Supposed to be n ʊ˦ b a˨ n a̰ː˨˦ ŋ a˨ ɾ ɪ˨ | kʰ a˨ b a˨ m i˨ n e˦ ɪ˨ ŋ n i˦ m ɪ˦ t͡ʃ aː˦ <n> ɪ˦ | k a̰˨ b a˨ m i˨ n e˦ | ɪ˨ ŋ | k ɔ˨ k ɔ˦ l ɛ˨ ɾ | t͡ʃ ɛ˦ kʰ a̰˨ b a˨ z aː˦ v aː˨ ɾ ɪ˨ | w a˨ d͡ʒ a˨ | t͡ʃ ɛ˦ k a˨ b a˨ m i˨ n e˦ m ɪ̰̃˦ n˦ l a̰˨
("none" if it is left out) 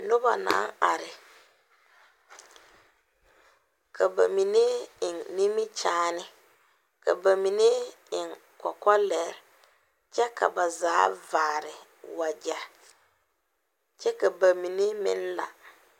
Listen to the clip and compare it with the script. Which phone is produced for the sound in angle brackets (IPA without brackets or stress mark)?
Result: n